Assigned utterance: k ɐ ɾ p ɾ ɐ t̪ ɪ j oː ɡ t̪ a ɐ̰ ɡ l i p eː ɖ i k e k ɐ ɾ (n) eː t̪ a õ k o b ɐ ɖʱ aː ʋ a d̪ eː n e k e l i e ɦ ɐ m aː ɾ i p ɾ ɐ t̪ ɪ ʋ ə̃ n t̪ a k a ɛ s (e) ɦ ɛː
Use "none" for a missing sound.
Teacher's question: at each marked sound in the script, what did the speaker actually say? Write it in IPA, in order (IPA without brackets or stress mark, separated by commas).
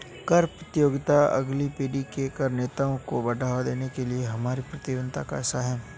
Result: n, a